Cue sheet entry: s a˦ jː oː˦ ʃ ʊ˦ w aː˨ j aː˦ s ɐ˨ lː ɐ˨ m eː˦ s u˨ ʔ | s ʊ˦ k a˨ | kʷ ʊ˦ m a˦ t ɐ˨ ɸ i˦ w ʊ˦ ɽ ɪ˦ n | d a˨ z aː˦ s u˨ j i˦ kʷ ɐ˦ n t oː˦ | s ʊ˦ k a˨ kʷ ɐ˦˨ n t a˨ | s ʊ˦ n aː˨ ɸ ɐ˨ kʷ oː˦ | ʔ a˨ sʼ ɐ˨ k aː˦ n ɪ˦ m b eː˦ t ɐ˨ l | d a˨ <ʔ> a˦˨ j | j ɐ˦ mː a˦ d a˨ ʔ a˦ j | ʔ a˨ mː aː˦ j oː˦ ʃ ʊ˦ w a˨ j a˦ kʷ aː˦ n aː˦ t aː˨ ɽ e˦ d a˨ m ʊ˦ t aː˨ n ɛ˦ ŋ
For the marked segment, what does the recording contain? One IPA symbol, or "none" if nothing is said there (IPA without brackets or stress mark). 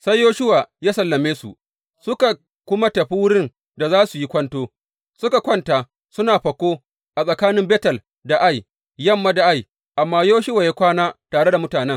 ʔ